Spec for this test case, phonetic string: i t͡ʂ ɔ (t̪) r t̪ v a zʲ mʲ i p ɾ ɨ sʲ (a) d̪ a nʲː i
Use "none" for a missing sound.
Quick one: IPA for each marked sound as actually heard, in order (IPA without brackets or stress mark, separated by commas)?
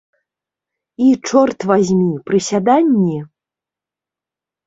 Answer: none, a